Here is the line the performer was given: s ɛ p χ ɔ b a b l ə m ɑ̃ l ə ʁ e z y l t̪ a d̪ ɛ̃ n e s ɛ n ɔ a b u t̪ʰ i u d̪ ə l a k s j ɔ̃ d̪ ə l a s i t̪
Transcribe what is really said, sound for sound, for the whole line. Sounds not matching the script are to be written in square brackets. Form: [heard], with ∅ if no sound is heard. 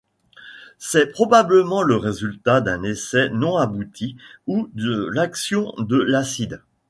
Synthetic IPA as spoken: s ɛ p χ ɔ b a b l ə m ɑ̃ l ə ʁ e z y l t̪ a d̪ ɛ̃ n e s ɛ n [ɔ̃] a b u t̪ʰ i u d̪ ə l a k s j ɔ̃ d̪ ə l a s i [d̪]